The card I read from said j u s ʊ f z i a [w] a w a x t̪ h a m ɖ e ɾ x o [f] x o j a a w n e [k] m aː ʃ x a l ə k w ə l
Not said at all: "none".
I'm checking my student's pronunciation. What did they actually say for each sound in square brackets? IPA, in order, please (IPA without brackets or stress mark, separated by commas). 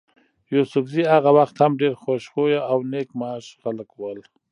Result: ɣ, ʃ, k